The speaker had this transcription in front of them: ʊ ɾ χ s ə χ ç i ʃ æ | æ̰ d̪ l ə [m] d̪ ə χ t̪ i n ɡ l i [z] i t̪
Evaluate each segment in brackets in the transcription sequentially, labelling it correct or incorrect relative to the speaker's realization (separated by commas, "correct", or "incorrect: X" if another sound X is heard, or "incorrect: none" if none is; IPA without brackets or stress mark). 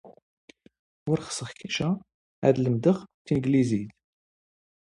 correct, correct